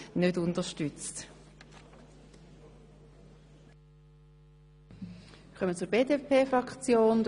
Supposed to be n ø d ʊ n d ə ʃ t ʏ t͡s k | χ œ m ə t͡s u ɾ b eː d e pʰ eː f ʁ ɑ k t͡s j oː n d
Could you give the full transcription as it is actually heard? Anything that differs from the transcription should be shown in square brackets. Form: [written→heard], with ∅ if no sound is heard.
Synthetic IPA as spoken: n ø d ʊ n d ə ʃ t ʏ t͡s [k→t] | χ œ m ə t͡s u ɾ b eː d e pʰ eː f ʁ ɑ k t͡s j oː n d